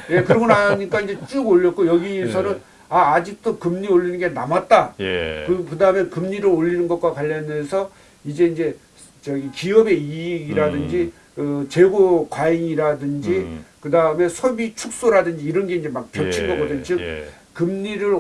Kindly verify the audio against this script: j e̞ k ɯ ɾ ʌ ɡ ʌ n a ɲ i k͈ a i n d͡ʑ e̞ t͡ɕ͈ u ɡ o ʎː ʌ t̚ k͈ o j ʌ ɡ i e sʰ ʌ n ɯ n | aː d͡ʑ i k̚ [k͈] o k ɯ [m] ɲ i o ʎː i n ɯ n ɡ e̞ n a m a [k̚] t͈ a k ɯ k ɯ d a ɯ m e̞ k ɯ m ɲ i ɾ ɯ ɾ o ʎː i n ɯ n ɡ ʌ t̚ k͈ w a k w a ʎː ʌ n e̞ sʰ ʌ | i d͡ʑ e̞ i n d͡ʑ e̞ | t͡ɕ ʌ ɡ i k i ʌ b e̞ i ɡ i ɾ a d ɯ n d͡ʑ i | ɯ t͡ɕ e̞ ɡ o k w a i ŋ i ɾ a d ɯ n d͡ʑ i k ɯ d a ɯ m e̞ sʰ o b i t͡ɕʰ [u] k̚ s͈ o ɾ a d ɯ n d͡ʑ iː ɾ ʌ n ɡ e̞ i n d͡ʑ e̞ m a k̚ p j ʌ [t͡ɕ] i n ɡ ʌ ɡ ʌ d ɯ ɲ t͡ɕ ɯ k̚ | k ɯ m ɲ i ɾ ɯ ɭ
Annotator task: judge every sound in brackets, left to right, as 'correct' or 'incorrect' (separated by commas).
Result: incorrect, correct, incorrect, correct, incorrect